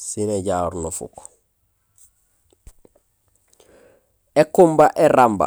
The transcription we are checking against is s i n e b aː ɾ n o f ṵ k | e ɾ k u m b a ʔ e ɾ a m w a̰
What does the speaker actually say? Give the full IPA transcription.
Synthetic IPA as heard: s i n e ɟ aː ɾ n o f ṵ k | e k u m b a ʔ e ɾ a m b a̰